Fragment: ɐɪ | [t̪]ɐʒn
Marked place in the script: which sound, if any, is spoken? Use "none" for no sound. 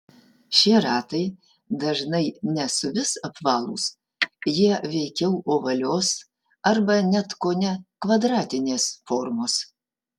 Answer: d̪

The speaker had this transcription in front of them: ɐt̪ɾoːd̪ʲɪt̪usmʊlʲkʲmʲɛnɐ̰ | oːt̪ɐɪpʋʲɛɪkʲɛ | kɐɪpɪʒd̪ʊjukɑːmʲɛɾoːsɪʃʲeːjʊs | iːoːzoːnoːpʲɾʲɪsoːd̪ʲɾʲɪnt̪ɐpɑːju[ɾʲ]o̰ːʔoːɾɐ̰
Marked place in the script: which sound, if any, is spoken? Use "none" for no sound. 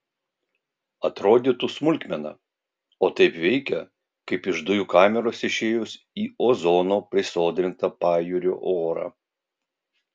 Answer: ɾʲ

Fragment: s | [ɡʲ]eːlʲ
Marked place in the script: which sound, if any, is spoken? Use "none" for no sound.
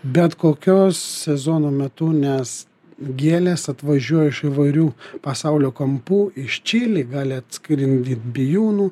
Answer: ɡʲ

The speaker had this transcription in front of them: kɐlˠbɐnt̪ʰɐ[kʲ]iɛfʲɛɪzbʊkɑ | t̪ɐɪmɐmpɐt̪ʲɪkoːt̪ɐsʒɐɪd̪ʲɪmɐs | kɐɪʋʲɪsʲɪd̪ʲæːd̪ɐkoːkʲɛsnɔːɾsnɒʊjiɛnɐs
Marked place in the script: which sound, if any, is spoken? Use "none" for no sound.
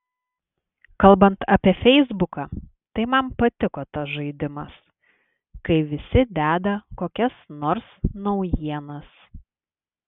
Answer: pʲ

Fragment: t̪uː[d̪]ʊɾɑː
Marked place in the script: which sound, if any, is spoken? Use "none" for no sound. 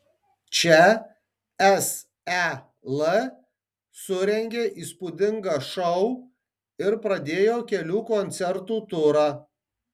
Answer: t̪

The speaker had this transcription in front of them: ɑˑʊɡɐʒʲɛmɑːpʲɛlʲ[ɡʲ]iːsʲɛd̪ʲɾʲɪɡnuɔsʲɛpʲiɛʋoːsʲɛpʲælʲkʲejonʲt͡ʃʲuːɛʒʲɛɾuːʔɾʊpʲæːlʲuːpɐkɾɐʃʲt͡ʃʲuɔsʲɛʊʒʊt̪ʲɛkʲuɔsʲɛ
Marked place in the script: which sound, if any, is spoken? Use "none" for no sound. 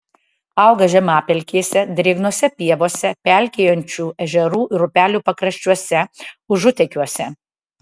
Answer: kʲ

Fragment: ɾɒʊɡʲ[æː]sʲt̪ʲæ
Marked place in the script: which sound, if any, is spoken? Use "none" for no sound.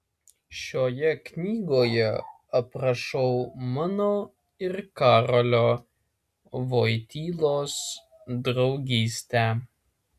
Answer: iː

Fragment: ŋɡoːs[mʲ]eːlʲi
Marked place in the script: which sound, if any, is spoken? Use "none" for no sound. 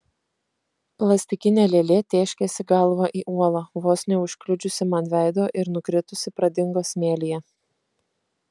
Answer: mʲ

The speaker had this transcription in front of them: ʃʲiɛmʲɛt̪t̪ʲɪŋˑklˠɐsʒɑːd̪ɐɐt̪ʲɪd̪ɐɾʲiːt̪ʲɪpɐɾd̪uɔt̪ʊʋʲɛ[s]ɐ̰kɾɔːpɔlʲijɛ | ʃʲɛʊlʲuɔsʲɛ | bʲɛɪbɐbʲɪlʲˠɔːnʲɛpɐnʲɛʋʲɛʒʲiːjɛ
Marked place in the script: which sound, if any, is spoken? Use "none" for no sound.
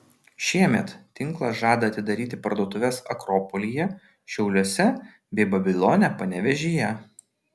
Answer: s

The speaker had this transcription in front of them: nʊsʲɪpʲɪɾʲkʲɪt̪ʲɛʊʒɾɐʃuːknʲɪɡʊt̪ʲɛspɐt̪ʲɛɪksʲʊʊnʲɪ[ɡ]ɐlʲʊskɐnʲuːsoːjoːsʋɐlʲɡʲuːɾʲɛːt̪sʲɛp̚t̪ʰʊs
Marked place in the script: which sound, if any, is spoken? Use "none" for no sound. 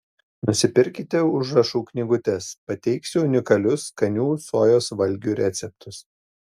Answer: k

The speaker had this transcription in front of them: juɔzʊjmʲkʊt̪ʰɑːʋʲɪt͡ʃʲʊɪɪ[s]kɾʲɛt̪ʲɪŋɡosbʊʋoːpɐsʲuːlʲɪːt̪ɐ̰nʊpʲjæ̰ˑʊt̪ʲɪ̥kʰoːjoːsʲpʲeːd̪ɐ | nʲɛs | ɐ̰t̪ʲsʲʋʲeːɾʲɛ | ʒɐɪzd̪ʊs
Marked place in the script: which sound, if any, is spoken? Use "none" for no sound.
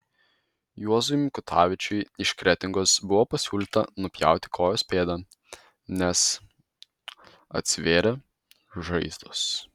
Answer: ʃ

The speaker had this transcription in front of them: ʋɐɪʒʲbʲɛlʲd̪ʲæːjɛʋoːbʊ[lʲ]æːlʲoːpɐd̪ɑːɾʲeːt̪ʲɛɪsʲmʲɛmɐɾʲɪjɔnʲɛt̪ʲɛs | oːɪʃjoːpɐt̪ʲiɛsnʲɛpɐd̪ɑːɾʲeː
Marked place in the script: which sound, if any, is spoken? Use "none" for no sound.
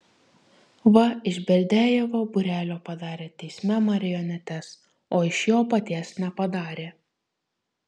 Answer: ɾʲ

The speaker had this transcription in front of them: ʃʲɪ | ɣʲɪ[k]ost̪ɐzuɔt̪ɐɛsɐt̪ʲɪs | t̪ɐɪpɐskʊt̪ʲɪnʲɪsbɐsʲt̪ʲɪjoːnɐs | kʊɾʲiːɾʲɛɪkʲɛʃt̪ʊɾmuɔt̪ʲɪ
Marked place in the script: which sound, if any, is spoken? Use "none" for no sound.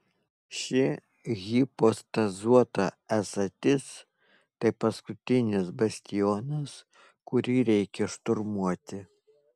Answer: p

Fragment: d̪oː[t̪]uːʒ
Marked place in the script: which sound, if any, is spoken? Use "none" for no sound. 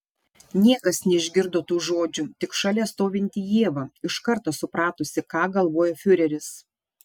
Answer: t̪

